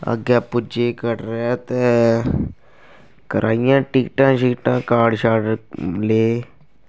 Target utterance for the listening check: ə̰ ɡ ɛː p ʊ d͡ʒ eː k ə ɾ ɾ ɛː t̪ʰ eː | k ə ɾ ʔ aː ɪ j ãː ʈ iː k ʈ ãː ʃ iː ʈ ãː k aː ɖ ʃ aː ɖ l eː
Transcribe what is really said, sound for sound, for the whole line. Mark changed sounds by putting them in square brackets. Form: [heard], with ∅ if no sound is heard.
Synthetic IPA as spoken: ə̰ ɡ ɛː p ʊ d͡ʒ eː k ə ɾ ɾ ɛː [t̪] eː | k ə ɾ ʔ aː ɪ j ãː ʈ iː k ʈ ãː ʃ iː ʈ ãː k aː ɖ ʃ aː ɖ l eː

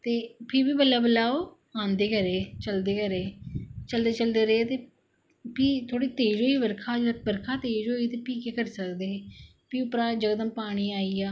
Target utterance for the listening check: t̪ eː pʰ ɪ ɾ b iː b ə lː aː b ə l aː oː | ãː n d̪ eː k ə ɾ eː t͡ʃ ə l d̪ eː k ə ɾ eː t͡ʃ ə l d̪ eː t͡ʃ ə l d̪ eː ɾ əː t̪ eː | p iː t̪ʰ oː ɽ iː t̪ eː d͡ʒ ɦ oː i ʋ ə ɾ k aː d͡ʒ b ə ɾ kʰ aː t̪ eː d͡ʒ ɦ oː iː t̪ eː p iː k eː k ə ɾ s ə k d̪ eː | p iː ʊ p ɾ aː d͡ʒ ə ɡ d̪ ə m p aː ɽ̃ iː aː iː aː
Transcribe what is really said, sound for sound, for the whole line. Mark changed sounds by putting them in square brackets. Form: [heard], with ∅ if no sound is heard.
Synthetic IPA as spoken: t̪ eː pʰ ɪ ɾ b iː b ə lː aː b ə l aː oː | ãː n d̪ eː k ə ɾ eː t͡ʃ ə l d̪ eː k ə ɾ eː t͡ʃ ə l d̪ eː t͡ʃ ə l d̪ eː ɾ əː t̪ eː | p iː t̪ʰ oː ɽ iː t̪ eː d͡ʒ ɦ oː i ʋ ə ɾ [kʰ] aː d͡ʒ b ə ɾ kʰ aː t̪ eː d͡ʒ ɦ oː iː t̪ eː p iː k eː k ə ɾ s ə k d̪ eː | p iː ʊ p ɾ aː d͡ʒ ə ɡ d̪ ə m p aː ɽ̃ iː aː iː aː

